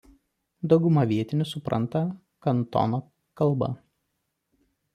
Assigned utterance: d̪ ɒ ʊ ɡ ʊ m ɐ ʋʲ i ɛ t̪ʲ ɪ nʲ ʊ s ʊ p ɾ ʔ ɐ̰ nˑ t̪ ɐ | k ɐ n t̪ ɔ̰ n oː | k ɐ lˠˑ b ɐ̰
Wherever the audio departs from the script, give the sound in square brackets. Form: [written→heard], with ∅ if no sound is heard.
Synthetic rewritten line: d̪ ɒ ʊ ɡ ʊ m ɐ ʋʲ i ɛ t̪ʲ ɪ nʲ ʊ s ʊ p ɾ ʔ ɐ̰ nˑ t̪ ɐ | k ɐ n t̪ ɔ̰ n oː | k ɐ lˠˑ b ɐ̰